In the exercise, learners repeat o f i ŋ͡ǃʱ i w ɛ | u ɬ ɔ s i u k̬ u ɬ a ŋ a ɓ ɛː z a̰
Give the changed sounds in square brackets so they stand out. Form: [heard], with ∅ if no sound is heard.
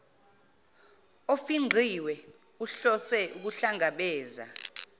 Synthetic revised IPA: o f i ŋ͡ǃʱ i w ɛ | u ɬ ɔ s [ɛ] u k̬ u ɬ a ŋ a ɓ ɛː z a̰